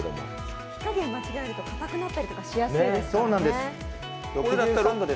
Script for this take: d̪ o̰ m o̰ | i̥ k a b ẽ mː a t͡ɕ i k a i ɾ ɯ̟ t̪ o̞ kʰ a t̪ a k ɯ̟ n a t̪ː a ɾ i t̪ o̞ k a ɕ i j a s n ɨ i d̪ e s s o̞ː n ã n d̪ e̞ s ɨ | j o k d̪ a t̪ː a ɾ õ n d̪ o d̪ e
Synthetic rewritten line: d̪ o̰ m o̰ | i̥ k a ɡ ẽ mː a t͡ɕ i ɡ a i ɾ ɯ̟ t̪ o̞ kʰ a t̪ a k ɯ̟ n a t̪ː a ɾ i t̪ o̞ k a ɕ i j a s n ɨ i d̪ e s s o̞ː n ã n d̪ e̞ s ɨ | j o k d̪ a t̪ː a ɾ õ n d̪ o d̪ e